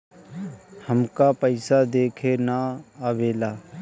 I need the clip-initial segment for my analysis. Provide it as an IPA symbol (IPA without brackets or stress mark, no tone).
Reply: h